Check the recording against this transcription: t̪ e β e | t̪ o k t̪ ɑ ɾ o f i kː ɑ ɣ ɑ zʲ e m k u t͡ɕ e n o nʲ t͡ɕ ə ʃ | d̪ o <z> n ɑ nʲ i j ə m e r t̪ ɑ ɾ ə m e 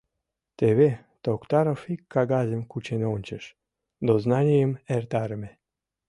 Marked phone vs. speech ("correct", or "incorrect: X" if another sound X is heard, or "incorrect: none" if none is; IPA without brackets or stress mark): correct